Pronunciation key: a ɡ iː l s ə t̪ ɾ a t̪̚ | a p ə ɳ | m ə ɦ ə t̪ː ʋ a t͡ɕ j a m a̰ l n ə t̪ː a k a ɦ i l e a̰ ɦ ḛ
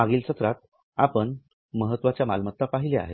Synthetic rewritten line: a ɡ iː l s ə t̪ ɾ a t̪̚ | a p ə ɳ | m ə ɦ ə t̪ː ʋ a t͡ɕ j a m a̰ l m ə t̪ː a p a ɦ i l e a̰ ɦ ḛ